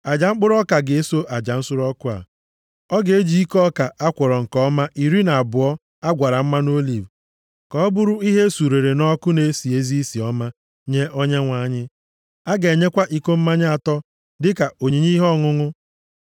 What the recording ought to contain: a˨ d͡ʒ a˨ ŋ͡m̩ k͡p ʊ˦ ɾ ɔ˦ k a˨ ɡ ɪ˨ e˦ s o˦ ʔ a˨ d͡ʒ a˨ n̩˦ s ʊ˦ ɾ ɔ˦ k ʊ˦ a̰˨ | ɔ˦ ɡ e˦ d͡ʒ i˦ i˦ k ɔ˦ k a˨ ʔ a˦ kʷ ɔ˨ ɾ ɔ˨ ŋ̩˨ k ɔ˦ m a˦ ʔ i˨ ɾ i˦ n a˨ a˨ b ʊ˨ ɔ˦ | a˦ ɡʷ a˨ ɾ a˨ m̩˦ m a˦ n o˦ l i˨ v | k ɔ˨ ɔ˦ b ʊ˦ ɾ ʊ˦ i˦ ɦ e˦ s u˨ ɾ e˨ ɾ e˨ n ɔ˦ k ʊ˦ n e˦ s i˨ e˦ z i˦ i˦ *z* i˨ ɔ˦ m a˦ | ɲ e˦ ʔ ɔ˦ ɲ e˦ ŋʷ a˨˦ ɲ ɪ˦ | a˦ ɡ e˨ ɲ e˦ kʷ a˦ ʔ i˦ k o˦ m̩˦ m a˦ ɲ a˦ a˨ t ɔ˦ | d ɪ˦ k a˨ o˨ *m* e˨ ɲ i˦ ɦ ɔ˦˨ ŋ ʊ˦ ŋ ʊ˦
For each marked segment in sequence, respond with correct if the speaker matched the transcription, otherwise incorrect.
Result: incorrect, incorrect

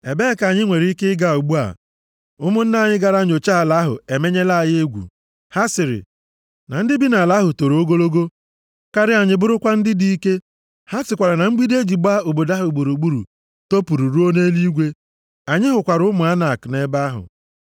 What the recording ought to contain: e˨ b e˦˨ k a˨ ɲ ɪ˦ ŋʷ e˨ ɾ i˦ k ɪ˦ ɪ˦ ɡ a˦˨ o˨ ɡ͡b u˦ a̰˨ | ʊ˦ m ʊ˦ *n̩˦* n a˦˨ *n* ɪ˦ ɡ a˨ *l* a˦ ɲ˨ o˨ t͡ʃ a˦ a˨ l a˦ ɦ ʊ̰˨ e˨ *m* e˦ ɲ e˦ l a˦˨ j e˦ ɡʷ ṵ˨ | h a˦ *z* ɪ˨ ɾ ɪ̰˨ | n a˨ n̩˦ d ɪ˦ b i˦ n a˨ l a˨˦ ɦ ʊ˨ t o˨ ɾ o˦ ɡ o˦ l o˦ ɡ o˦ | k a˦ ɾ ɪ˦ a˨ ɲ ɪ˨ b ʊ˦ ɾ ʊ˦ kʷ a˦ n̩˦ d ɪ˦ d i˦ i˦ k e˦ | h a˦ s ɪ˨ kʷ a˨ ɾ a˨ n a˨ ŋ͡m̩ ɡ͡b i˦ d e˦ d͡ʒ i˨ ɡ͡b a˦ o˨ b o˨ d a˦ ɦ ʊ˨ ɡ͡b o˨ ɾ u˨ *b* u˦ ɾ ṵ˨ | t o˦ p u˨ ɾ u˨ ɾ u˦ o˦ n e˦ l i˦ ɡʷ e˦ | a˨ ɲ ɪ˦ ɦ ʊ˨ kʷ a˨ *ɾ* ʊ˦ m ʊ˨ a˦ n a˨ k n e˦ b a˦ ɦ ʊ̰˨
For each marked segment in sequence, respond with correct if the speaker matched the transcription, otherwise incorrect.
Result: correct, incorrect, incorrect, correct, incorrect, incorrect, correct

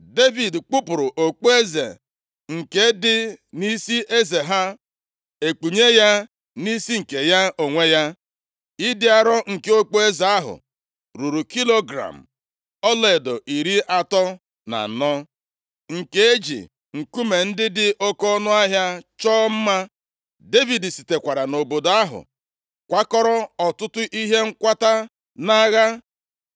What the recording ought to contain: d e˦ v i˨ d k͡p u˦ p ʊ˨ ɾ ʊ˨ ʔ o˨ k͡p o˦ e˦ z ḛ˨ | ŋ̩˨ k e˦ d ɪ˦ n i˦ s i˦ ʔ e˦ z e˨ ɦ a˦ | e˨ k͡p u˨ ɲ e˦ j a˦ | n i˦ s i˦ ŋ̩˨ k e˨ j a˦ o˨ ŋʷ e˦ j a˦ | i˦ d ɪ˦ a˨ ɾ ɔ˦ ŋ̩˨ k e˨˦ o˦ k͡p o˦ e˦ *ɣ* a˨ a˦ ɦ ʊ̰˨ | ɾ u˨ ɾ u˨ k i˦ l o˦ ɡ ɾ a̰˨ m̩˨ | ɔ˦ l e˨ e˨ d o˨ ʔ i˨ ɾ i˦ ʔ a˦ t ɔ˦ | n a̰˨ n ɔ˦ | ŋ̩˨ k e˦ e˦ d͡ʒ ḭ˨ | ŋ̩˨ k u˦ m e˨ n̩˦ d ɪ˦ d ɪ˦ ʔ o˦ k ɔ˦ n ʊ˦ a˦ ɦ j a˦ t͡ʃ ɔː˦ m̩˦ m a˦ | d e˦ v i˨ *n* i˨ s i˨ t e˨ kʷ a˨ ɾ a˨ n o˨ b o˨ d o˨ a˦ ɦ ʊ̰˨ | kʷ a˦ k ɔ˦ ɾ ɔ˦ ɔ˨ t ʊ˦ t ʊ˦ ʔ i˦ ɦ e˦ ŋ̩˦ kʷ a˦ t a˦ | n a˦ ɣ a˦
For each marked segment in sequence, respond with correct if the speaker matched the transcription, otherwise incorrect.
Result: incorrect, incorrect

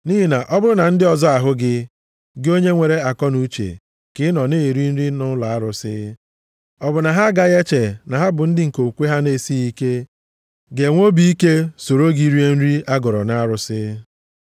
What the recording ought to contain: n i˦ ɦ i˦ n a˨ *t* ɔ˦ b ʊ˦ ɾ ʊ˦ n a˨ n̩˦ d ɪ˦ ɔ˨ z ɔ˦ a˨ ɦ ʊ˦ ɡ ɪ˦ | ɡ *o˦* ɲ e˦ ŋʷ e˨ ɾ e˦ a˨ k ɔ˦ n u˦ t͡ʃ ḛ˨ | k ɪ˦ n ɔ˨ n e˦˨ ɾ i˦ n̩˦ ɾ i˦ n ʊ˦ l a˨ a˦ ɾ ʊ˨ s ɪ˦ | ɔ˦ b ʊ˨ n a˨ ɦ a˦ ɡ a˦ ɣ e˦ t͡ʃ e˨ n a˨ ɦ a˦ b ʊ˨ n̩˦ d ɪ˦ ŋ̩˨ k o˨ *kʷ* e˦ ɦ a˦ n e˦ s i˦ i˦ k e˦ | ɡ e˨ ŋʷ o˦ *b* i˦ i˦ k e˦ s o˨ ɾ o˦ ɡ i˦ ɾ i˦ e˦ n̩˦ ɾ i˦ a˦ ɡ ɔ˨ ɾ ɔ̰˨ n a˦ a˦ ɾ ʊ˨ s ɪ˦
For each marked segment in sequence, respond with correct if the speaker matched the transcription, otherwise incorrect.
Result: incorrect, correct, correct, correct

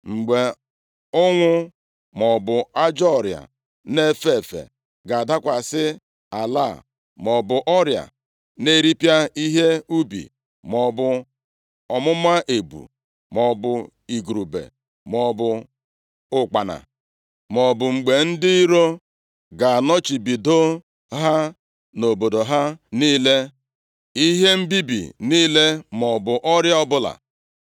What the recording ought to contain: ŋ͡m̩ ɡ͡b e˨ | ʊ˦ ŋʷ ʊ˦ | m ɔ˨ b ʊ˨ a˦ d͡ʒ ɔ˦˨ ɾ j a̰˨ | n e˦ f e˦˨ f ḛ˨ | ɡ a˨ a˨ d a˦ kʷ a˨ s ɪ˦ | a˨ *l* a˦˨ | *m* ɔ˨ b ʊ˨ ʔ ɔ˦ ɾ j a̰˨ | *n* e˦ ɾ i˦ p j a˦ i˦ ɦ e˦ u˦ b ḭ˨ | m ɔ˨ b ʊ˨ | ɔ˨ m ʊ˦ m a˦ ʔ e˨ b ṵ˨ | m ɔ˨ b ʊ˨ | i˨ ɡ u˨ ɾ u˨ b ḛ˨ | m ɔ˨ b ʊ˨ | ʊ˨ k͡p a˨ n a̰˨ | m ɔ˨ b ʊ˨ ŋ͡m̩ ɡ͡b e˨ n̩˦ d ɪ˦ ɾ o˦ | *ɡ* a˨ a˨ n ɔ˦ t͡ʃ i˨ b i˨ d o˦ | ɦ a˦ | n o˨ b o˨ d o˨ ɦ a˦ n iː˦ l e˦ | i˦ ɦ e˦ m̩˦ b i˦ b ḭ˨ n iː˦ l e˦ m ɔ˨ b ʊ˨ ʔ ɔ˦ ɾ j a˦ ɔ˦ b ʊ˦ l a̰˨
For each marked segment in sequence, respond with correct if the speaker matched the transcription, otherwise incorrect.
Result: correct, correct, correct, correct

